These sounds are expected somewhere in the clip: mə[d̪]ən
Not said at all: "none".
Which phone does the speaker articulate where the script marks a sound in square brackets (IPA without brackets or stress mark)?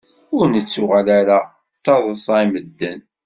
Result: d̪ː